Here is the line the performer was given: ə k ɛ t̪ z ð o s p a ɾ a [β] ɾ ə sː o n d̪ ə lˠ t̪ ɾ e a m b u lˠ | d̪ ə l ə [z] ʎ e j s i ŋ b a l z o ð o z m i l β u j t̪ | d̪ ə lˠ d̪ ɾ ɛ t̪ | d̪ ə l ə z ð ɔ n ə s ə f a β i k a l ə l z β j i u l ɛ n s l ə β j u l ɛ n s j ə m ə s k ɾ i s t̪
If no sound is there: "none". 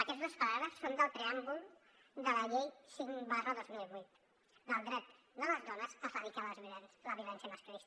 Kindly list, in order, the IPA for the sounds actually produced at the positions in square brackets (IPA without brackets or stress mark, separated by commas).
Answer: β, none